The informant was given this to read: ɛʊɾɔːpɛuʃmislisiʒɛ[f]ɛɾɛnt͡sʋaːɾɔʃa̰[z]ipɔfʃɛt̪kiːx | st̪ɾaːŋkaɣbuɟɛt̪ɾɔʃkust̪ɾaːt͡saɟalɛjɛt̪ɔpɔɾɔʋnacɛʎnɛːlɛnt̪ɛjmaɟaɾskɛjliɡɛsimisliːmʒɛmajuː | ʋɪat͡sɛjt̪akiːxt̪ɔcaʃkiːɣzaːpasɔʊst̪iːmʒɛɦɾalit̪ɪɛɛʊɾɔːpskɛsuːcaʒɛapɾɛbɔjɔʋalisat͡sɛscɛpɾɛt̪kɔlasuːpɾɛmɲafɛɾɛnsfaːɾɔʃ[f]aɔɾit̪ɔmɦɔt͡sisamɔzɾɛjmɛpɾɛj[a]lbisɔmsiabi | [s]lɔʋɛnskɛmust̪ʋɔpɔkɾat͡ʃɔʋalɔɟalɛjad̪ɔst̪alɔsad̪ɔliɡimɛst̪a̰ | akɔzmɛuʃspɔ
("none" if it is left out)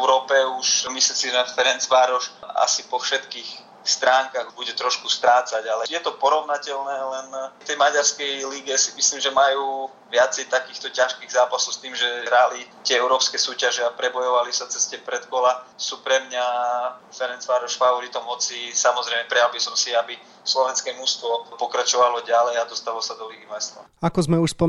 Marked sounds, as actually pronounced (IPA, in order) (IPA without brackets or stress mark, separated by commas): f, s, f, a, s